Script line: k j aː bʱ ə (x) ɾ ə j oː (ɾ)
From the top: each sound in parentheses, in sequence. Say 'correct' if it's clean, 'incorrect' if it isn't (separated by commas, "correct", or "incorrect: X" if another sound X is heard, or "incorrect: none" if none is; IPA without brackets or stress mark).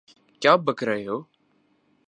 incorrect: k, incorrect: none